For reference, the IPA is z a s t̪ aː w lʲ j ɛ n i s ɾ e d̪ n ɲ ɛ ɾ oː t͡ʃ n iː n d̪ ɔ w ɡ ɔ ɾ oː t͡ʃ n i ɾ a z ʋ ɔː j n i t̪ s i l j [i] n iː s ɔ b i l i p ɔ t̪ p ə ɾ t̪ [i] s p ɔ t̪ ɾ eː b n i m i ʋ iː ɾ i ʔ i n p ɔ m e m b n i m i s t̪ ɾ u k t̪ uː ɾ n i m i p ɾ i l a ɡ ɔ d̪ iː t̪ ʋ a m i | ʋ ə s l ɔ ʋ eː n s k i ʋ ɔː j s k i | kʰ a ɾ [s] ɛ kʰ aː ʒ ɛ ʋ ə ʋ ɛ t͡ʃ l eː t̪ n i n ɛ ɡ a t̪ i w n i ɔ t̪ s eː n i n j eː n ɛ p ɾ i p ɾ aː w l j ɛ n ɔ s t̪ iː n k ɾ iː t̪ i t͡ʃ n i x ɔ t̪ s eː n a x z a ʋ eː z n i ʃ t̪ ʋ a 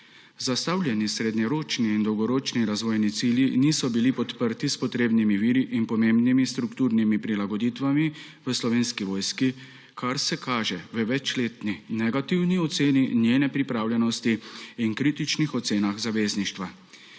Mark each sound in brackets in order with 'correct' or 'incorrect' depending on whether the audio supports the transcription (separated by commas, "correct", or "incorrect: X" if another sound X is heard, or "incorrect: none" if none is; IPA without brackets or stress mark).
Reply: correct, correct, correct